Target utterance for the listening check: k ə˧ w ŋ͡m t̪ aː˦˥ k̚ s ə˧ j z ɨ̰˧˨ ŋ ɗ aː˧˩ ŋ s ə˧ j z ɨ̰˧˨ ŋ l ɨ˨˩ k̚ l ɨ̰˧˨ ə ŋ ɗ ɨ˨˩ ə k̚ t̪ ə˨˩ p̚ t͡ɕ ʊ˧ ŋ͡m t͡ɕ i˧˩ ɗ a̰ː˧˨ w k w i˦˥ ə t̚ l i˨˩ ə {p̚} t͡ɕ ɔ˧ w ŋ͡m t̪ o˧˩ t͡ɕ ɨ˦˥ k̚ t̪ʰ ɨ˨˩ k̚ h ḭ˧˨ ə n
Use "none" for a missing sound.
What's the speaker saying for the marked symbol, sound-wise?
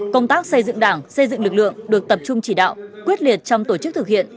t̚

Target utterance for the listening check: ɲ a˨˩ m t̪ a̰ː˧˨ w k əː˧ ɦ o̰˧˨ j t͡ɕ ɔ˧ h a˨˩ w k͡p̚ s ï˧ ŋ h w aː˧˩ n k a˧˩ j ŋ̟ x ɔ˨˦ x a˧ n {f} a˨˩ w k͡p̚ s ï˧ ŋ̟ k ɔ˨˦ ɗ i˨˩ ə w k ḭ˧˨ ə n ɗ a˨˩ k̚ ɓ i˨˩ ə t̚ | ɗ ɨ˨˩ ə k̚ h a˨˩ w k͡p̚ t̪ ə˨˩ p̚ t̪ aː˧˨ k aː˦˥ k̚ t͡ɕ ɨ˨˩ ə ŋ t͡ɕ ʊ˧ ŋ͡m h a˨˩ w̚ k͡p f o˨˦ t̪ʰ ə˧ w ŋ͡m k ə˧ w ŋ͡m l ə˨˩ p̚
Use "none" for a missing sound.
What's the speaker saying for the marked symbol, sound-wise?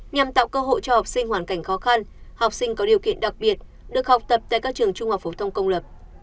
h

